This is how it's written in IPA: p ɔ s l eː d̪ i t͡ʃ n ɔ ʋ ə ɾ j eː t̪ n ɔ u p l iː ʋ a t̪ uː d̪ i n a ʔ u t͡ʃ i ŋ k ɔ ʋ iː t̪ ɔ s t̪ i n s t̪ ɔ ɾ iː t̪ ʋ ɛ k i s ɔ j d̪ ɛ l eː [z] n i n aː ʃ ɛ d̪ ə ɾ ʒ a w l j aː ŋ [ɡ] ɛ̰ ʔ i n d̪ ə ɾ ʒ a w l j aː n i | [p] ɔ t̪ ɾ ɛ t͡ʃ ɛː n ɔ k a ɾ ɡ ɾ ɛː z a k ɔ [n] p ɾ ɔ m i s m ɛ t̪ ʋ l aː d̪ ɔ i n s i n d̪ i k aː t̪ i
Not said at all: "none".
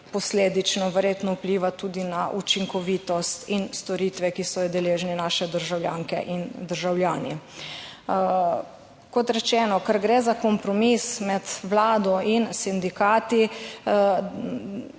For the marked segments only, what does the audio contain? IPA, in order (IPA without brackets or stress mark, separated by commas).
ʒ, k, k, m